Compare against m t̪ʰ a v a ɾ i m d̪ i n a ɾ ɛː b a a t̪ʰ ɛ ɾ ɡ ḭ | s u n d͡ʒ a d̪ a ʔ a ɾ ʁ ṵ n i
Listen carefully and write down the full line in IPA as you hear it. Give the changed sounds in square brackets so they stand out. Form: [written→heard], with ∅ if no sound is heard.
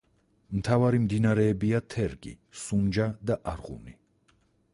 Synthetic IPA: m t̪ʰ a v a ɾ i m d̪ i n a ɾ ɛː b [a→i] a t̪ʰ ɛ ɾ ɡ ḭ | s u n d͡ʒ a d̪ a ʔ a ɾ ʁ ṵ n i